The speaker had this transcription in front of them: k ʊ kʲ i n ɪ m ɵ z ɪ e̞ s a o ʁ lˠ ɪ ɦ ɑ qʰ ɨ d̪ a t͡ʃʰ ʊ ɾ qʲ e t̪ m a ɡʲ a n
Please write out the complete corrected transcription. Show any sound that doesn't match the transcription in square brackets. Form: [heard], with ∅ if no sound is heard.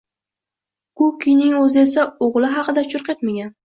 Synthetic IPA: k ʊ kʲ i n ɪ [ŋ] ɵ z ɪ e̞ s a o ʁ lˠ ɪ ɦ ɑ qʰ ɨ d̪ a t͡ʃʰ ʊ ɾ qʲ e t̪ m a ɡʲ a n